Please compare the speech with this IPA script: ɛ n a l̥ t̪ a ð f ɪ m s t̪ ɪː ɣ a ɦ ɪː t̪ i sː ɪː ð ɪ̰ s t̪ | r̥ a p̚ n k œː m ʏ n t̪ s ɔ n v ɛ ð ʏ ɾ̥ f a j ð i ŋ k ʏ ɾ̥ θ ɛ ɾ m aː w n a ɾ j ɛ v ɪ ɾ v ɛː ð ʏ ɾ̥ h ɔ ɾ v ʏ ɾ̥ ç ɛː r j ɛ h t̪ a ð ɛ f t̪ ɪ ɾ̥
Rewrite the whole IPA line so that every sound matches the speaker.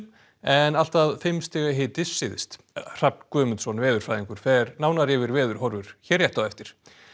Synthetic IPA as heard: ɛ n a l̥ t̪ a ð f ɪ m s t̪ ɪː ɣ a ɦ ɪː t̪ ɪ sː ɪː ð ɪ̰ s t̪ | r̥ a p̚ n k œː m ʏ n t̪ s ɔ n v ɛː ð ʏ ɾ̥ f a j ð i ŋ k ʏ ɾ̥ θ ɛ ɾ n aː w n a ɾ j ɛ v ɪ ɾ v ɛː ð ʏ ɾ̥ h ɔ ɾ v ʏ ɾ̥ ç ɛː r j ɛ h t̪ a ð ɛ f t̪ ɪ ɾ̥